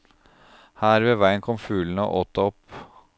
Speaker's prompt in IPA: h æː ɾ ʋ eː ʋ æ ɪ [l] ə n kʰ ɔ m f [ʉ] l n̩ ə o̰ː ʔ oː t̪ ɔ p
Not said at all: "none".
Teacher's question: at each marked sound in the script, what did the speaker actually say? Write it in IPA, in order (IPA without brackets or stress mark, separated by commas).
none, ʉː